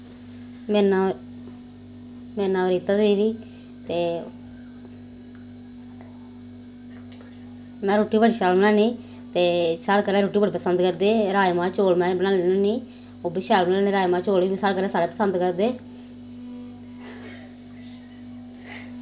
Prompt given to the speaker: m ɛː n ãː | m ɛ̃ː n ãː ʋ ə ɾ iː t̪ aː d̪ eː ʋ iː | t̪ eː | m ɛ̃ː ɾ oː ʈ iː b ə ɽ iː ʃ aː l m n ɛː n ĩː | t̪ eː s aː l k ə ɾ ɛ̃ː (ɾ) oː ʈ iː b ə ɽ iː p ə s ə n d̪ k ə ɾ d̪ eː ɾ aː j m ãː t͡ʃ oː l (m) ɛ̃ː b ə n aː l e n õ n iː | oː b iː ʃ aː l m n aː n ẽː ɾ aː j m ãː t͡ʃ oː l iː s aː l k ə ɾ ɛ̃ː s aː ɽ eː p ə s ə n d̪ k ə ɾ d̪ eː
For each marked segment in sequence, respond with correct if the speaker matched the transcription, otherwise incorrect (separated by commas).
correct, correct